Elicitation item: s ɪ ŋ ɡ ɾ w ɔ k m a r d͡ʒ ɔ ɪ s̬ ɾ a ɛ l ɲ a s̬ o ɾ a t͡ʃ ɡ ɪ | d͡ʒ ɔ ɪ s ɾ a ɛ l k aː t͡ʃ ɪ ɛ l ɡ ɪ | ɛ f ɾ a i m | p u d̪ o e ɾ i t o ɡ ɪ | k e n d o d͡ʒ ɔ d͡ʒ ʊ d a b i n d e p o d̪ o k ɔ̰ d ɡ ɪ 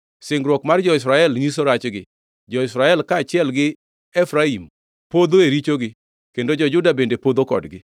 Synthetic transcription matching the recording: s ɪ ŋ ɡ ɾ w ɔ k m a r d͡ʒ ɔ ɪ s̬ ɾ a ɛ l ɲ i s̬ o ɾ a t͡ʃ ɡ ɪ | d͡ʒ ɔ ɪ s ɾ a ɛ l k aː t͡ʃ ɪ ɛ l ɡ ɪ | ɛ f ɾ a i m | p o d̪ o e ɾ i t͡ʃ o ɡ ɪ | k e n d o d͡ʒ ɔ d͡ʒ ʊ d a b e n d e p o d̪ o k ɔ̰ d ɡ ɪ